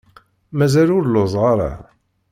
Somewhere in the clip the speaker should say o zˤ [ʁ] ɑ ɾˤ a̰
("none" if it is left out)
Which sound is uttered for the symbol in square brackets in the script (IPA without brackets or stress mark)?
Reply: ʁ